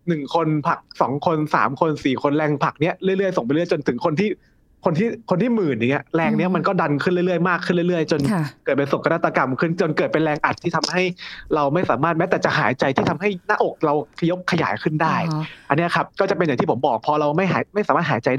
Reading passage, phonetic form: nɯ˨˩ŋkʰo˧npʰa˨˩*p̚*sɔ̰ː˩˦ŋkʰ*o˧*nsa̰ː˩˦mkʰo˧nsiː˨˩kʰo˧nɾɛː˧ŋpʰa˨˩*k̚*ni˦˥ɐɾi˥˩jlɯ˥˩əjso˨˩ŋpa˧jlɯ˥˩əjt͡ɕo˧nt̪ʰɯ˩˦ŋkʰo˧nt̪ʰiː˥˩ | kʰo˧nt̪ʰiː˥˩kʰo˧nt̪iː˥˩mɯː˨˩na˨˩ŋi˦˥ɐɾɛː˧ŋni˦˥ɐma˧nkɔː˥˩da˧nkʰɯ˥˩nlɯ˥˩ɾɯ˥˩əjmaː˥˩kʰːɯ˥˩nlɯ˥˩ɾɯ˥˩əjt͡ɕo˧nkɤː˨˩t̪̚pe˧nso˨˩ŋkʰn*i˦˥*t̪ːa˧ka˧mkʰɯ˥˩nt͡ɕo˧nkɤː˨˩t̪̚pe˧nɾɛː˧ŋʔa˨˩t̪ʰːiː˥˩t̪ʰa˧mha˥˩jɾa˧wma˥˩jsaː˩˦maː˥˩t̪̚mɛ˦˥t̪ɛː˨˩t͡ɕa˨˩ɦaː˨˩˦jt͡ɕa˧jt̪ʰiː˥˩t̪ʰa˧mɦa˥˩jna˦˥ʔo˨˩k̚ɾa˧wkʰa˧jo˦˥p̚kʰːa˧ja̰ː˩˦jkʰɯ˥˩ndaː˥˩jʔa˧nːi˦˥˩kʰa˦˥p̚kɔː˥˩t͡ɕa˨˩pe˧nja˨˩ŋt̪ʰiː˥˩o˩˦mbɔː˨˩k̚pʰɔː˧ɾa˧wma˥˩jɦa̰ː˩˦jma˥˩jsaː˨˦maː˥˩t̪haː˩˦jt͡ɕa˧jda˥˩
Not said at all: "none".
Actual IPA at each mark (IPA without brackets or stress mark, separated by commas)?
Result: k̚, o˧, k̚, a˦˥